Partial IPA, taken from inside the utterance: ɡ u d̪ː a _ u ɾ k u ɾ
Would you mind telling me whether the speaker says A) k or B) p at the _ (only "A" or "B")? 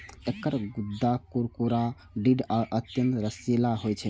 A